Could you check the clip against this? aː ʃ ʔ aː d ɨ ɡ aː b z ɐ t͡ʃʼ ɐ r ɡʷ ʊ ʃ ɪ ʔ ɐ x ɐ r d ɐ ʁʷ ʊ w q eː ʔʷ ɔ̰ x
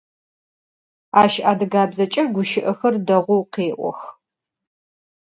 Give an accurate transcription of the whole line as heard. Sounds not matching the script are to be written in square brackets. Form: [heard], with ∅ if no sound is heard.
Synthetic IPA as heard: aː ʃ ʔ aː d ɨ ɡ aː b z ɐ t͡ʃʼ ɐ r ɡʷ ʊ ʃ ɪ ʔ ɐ x ɐ r d ɐ ʁʷ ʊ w q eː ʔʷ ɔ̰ x